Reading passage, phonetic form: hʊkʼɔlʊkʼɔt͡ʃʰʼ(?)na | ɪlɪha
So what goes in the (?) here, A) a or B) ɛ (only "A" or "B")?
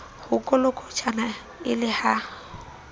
A